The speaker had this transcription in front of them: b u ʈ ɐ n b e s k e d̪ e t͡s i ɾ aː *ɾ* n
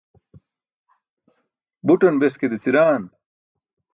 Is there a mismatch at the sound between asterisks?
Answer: yes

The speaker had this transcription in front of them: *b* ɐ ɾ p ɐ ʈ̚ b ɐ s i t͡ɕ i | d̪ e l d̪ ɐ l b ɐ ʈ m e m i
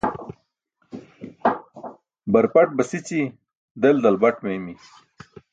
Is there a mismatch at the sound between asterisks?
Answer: no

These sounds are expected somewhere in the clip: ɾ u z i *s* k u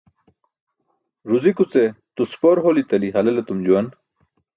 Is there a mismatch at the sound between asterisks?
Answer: yes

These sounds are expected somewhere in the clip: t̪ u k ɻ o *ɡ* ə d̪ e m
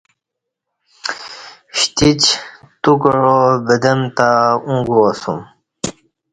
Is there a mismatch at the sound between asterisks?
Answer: yes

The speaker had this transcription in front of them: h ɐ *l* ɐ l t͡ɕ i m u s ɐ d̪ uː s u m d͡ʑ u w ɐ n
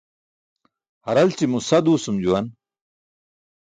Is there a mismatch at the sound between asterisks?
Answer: yes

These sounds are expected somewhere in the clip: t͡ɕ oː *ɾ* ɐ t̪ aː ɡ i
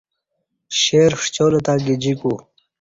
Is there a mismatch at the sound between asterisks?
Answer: yes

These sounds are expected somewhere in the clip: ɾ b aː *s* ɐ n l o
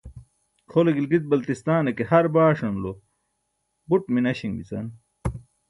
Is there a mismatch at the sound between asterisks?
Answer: yes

